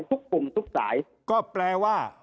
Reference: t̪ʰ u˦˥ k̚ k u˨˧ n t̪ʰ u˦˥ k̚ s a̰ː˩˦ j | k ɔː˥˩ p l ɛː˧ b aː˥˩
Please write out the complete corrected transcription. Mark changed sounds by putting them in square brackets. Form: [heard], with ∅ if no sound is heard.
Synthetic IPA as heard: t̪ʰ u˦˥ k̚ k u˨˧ [m] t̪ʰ u˦˥ k̚ s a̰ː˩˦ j | k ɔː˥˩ p l ɛː˧ [w] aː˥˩